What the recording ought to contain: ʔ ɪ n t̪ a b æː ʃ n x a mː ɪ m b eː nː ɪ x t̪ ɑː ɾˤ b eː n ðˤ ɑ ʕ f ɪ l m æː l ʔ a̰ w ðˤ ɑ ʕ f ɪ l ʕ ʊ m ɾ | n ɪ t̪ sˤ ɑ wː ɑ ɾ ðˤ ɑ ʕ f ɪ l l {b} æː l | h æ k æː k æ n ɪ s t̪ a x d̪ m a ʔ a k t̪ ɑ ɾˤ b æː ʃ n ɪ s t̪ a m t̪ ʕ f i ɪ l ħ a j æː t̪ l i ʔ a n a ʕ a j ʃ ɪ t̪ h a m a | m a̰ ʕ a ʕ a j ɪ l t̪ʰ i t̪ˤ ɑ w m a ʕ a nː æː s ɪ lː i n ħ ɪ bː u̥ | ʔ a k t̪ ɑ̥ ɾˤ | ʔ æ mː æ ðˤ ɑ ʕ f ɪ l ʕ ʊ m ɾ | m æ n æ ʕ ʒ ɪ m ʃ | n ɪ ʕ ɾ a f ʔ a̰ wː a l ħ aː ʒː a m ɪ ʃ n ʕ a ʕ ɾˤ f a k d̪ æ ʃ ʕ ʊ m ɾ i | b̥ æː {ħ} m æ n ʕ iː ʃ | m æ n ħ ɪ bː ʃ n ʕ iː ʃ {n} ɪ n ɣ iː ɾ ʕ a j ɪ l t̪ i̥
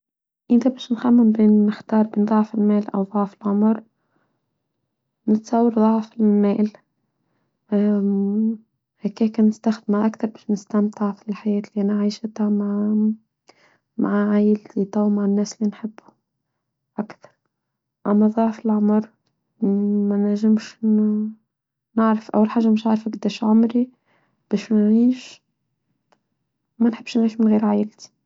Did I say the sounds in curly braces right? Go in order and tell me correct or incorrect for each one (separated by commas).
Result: incorrect, incorrect, incorrect